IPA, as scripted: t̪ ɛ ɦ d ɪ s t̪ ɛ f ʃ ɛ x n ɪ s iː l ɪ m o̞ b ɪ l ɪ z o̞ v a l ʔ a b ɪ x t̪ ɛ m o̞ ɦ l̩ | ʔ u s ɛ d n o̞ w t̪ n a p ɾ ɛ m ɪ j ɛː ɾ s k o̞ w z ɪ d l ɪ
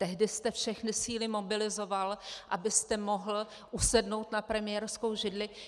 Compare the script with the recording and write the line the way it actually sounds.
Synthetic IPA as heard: t̪ ɛ ɦ d ɪ s t̪ ɛ f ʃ ɛ x n ɪ s iː l ɪ m o̞ b ɪ l ɪ z o̞ v a l ʔ a b ɪ s t̪ ɛ m o̞ ɦ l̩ | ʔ u s ɛ d n o̞ w t̪ n a p ɾ ɛ m ɪ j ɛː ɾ s k o̞ w ʒ ɪ d l ɪ